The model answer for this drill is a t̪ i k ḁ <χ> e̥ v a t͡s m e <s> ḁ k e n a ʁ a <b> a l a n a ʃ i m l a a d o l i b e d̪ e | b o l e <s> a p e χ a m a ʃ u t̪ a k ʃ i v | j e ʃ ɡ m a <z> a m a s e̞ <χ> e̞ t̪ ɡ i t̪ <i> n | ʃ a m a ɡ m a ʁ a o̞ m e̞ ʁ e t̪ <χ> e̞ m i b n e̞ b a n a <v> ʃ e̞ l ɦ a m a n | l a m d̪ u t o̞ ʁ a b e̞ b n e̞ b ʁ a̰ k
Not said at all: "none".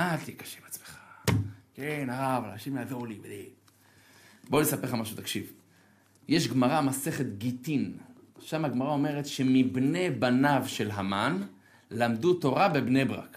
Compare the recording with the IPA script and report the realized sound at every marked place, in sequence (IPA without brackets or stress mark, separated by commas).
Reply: ʃ, χ, v, s, ʁ, χ, i, ʃ, v